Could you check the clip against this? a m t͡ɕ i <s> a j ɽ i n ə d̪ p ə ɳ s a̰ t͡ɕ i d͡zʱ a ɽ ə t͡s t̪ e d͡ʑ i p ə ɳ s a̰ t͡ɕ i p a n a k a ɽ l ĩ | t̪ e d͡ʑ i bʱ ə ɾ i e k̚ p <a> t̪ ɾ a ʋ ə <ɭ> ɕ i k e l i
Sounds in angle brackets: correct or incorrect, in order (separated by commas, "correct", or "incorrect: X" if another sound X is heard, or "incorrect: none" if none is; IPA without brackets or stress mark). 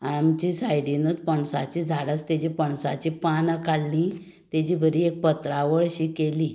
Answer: correct, incorrect: ə, correct